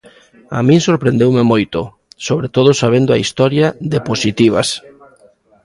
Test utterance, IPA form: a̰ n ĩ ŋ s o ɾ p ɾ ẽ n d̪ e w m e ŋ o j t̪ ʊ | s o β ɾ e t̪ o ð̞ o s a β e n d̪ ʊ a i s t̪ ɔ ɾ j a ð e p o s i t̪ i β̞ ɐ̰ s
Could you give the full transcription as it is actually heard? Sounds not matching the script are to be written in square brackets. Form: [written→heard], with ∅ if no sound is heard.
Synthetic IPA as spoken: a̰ [n→m] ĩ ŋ s o ɾ p ɾ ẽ n d̪ e w m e [ŋ→m] o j t̪ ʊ | s o β ɾ e t̪ o ð̞ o s a β e n d̪ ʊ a i s t̪ ɔ ɾ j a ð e p o s i t̪ i β̞ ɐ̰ s